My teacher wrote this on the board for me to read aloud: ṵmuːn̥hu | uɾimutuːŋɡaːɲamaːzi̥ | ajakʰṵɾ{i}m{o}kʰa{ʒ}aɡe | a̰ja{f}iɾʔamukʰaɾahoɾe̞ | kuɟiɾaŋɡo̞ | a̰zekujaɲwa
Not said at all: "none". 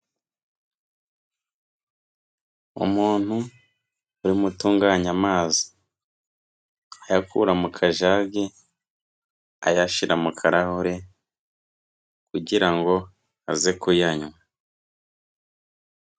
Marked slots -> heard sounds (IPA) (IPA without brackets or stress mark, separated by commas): a, u, ʒ, ʃ